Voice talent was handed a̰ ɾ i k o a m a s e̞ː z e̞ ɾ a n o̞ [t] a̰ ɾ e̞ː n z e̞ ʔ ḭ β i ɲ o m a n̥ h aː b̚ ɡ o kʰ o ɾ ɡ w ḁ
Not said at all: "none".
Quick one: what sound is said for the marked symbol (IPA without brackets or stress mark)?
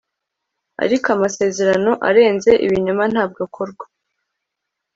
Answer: ʔ